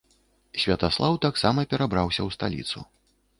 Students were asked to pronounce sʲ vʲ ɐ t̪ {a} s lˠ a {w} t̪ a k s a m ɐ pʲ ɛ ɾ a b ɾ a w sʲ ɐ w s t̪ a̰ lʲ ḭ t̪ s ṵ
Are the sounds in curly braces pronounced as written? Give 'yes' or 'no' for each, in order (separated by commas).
yes, yes